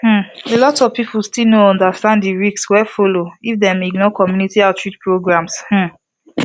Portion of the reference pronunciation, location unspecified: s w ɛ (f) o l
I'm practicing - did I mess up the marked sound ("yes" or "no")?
no